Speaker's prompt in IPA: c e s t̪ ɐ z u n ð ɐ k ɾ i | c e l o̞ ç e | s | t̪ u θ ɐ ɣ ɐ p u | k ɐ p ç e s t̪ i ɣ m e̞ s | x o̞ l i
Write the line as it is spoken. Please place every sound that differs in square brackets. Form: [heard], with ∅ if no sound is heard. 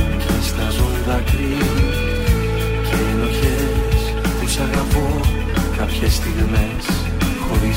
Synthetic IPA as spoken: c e s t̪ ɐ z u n ð ɐ k ɾ i | c e l o̞ ç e | s | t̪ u [s] ɐ ɣ ɐ p [o] | k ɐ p ç e s t̪ i ɣ m e̞ s | x o̞ [ɾ] i